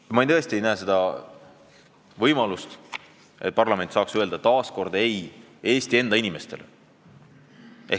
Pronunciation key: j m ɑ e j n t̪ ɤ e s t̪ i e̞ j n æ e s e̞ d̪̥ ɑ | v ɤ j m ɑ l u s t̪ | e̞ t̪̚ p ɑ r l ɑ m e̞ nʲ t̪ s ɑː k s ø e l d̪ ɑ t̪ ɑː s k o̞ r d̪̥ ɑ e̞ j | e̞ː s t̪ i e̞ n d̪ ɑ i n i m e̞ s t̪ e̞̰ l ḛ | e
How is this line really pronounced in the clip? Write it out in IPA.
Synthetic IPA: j m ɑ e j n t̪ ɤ e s t̪ i e̞ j n æ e s e̞ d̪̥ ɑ | v ɤ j m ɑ l u s t̪ | e̞ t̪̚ p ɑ r l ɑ m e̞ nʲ t̪ s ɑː k s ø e l d̪ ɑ t̪ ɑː s k o̞ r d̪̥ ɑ e̞ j | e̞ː s t̪ i e̞ n d̪ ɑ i n i m e̞ s t̪ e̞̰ l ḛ | e